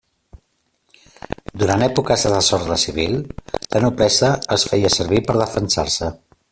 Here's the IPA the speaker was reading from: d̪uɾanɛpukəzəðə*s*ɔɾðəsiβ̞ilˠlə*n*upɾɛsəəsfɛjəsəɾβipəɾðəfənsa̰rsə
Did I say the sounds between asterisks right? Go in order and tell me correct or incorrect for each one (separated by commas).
correct, correct